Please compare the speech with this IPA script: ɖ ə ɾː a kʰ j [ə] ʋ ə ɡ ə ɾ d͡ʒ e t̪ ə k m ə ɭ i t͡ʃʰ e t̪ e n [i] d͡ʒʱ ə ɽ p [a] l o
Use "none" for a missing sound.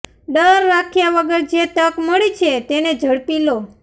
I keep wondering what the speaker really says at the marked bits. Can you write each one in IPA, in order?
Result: a, e, i

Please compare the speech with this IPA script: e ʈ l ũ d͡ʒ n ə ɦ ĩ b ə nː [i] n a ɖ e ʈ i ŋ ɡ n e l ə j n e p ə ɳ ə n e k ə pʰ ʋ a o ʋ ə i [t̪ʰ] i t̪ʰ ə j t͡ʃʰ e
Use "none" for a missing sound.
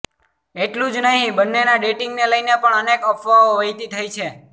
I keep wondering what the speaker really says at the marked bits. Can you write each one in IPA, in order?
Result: e, t̪

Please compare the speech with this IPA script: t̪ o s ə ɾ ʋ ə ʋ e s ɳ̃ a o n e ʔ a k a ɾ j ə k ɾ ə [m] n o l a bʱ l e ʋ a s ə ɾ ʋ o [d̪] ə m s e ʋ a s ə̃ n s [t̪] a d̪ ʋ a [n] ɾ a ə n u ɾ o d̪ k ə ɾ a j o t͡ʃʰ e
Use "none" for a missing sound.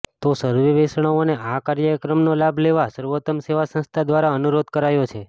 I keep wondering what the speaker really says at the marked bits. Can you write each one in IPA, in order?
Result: m, t̪, t̪ʰ, none

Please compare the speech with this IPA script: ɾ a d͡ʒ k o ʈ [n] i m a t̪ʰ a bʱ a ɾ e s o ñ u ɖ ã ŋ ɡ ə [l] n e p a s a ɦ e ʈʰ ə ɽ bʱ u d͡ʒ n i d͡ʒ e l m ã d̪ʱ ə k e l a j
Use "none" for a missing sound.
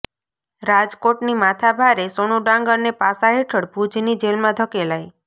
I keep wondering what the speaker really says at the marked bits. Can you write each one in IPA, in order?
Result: n, ɾ

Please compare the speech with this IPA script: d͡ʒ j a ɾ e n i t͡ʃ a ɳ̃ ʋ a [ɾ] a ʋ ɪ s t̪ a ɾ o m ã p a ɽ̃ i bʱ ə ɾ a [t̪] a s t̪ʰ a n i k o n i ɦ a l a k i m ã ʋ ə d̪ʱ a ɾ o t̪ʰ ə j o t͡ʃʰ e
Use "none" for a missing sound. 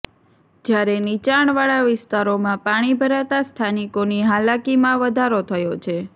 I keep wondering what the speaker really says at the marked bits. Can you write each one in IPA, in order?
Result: ɭ, t̪

